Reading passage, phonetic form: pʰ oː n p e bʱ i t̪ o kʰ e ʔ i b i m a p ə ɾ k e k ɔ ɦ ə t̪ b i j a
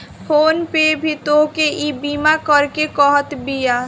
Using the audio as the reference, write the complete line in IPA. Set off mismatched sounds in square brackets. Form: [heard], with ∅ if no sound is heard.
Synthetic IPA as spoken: pʰ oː n p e bʱ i t̪ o [k] e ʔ i b i m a [k] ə ɾ k e k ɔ ɦ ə t̪ b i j a